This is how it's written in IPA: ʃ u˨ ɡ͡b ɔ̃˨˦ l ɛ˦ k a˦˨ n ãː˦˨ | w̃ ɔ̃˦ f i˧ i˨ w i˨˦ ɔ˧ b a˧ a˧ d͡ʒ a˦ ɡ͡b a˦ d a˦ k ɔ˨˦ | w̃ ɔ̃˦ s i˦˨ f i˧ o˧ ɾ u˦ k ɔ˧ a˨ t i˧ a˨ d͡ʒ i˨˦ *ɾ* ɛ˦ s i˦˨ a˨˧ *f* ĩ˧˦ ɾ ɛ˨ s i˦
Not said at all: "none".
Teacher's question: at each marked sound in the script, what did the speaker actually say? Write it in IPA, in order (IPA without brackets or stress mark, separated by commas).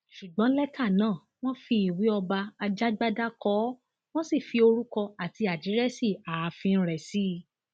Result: ɾ, f